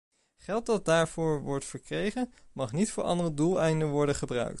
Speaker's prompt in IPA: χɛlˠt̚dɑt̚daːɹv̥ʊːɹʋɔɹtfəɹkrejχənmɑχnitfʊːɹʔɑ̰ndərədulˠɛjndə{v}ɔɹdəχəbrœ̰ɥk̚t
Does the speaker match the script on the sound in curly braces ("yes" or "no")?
no